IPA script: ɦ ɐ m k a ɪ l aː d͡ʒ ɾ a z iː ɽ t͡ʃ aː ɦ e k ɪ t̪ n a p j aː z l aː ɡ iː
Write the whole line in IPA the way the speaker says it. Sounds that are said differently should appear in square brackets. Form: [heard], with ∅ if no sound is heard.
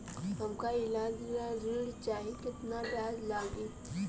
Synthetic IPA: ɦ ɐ m k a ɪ l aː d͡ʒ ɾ a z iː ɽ t͡ʃ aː ɦ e k ɪ t̪ n a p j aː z l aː ɡ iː